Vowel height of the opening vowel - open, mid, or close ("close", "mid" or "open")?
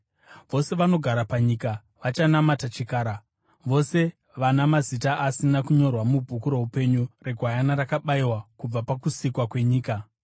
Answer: mid